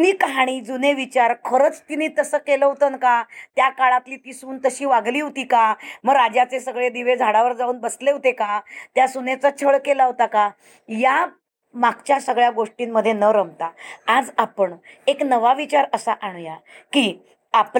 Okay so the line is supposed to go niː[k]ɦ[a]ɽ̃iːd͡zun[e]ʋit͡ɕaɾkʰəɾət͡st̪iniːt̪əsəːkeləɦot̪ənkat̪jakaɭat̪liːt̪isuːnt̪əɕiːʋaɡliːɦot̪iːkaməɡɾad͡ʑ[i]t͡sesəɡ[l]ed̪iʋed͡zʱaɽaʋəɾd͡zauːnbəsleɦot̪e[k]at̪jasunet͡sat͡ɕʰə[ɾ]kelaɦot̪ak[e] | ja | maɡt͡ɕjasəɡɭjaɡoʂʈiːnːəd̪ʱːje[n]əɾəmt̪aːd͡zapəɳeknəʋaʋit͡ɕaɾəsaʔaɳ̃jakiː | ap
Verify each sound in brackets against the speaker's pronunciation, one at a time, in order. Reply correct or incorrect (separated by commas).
correct, correct, correct, incorrect, incorrect, correct, incorrect, incorrect, correct